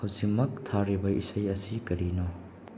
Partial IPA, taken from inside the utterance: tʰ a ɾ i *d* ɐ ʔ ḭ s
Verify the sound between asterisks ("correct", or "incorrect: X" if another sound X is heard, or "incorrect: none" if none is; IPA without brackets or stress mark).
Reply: incorrect: b